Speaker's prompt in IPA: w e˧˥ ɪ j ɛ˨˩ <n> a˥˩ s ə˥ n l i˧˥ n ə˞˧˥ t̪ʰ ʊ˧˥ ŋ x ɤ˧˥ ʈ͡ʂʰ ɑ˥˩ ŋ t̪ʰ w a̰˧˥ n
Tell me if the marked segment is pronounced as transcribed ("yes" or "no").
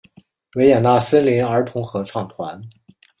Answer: yes